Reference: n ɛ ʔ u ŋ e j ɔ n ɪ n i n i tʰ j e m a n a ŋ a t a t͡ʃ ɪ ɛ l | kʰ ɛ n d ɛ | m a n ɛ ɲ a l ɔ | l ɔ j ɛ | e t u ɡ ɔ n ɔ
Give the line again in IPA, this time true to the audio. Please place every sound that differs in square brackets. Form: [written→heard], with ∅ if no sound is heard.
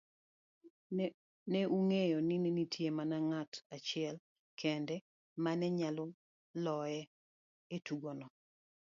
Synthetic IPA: n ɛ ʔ u ŋ e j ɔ n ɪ n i n i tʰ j e m a n a ŋ a t a t͡ʃ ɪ ɛ l | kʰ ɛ n d ɛ | m a n ɛ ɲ a l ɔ | l ɔ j ɛ | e t u ɡ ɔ n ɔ